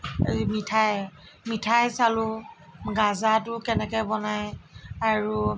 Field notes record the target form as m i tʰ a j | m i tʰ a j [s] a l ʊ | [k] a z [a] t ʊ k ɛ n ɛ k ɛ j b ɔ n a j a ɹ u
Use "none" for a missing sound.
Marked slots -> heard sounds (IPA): s, ɡ, a

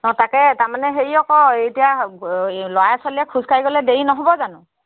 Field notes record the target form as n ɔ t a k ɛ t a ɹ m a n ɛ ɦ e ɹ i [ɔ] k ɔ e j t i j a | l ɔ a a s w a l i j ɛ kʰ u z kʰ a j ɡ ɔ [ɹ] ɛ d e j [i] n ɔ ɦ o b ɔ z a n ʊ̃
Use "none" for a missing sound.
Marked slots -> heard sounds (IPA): ɔ, l, i

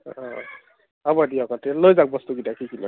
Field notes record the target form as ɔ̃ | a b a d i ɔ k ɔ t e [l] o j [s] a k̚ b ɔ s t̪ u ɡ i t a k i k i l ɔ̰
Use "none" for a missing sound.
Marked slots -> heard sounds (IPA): l, z

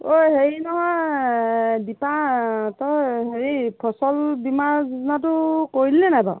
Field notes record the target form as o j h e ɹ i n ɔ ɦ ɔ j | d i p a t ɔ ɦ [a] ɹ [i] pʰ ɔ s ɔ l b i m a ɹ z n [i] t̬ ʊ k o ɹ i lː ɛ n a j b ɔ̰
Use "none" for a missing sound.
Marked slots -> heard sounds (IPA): e, i, a

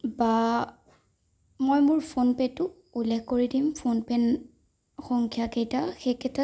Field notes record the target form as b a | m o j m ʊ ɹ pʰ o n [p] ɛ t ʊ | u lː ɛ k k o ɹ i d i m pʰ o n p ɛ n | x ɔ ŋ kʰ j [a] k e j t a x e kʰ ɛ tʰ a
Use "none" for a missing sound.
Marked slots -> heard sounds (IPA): p, a

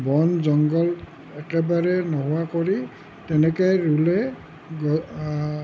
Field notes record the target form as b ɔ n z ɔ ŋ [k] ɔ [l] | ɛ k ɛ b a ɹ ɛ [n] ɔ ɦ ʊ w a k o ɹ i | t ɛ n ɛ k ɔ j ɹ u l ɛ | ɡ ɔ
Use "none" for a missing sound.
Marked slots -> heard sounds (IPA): ɡ, l, n

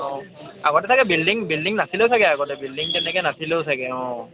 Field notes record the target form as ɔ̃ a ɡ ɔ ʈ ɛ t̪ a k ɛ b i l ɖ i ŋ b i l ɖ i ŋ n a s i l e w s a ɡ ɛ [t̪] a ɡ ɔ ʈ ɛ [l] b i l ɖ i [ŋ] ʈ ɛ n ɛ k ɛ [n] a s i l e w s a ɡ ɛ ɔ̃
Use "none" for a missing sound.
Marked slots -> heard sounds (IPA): none, none, ŋ, n

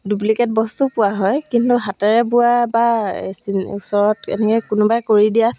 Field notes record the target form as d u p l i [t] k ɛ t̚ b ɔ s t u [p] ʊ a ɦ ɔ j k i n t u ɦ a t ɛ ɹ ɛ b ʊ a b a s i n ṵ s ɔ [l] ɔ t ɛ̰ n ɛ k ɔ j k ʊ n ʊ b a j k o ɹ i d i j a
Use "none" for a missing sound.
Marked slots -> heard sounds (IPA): none, p, ɹ

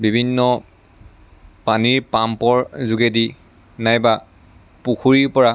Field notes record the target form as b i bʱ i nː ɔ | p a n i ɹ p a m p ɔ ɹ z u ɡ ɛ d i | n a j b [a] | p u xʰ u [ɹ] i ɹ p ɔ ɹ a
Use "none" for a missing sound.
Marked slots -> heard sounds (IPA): a, ɹ

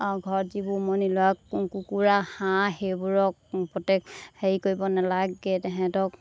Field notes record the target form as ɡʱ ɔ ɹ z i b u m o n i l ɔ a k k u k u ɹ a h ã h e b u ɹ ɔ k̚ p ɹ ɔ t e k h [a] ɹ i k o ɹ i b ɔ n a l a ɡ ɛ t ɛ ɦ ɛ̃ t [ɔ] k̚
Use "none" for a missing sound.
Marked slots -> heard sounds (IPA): e, ɔ

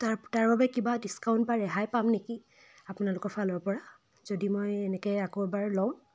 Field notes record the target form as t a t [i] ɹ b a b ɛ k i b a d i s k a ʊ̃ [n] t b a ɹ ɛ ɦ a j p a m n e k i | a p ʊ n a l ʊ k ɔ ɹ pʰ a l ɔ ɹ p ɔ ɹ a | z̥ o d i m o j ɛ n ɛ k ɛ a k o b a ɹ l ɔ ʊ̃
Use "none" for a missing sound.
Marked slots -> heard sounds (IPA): a, n

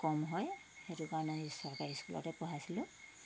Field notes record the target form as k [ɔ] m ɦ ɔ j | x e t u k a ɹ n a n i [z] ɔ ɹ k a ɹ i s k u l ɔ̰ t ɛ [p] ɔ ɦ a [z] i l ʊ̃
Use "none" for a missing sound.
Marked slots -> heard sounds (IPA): ɔ, s, p, s

